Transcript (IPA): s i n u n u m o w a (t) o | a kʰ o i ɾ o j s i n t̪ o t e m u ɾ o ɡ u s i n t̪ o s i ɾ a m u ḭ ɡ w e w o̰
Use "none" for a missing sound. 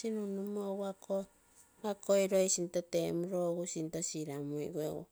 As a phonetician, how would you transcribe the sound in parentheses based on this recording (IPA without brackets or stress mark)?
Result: k